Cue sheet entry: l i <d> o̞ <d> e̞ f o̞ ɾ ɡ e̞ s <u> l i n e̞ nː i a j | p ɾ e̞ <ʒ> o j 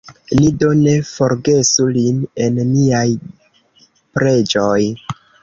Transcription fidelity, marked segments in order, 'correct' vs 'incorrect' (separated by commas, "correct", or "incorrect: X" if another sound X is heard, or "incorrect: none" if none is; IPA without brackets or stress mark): correct, incorrect: n, correct, incorrect: d͡ʒ